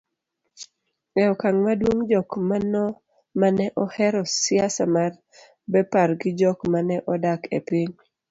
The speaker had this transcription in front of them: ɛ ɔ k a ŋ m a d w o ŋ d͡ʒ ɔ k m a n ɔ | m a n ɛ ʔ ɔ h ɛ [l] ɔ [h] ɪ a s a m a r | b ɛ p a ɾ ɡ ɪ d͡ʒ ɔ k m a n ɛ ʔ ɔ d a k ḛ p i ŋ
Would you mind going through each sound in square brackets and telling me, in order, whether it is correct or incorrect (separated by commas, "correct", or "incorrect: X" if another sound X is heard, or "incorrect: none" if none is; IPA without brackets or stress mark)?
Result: incorrect: ɾ, incorrect: s